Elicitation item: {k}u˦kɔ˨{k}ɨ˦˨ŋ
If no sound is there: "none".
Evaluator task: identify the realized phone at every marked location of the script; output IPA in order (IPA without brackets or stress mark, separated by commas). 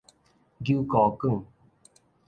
ɡ, k